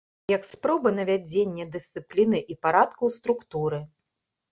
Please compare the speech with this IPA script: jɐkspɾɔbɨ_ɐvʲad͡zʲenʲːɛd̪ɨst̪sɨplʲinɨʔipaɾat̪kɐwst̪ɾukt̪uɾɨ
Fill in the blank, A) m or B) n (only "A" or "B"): B